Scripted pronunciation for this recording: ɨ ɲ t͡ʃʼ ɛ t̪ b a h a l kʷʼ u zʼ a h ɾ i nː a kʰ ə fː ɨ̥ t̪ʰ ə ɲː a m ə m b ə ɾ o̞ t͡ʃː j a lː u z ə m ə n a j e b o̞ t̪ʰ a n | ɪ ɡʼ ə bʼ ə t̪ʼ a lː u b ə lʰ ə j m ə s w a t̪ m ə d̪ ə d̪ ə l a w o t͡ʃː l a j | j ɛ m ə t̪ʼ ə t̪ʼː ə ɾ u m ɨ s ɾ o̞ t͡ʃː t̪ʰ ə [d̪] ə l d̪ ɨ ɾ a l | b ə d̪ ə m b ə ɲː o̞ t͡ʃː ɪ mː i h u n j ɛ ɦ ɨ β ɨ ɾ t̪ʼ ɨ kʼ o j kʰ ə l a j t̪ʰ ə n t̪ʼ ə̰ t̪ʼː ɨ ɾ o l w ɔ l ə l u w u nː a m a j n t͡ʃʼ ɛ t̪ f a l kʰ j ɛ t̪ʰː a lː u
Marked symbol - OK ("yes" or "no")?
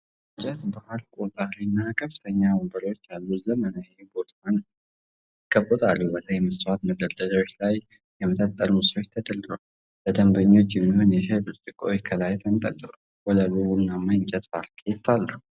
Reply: yes